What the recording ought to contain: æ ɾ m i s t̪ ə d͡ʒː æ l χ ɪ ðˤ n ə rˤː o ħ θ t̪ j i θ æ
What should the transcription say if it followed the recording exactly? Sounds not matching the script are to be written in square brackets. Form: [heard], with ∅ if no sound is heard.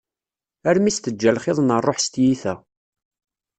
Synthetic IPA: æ ɾ m i s t̪ ə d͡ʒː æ l χ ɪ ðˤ n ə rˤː o ħ [s] t̪ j i θ æ